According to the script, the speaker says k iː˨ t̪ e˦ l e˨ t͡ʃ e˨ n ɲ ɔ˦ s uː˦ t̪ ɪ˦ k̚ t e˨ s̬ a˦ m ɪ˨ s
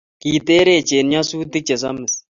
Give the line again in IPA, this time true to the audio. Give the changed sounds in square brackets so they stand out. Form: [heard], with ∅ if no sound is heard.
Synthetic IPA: k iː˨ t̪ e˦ [ɾ] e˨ t͡ʃ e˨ n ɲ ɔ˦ s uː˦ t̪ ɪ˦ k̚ [t͡ʃ] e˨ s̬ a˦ m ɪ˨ s